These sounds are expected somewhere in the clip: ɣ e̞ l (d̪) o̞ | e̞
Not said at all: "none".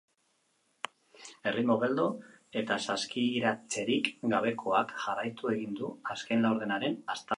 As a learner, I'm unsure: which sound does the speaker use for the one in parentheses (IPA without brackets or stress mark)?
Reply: d̪